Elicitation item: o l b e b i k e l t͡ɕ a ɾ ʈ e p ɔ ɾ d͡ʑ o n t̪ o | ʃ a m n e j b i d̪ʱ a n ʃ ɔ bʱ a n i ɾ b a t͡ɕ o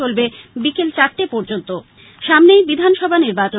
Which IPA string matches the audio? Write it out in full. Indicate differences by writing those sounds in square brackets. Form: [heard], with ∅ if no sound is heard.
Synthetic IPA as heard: o l b e b i k e l t͡ɕ a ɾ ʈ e p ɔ ɾ d͡ʑ o n t̪ o | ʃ a m n e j b i d̪ʱ a n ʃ ɔ bʱ a n i ɾ b a t͡ɕ o